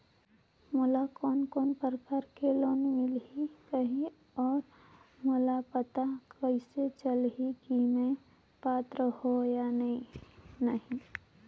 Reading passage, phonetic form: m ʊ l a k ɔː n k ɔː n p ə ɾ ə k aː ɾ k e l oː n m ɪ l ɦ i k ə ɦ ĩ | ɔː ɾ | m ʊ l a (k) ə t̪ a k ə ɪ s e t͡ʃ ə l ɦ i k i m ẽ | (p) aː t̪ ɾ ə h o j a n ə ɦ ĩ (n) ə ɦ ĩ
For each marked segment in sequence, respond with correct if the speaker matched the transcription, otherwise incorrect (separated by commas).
incorrect, correct, correct